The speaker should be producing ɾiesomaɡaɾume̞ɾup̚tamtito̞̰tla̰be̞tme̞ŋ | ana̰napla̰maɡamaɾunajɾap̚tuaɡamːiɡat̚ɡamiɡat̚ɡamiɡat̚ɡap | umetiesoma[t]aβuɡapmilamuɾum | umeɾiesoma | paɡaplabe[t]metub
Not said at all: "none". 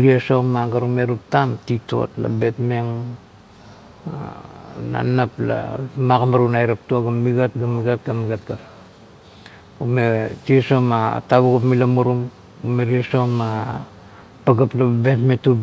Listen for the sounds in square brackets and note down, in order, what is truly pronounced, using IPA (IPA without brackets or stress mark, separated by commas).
t, t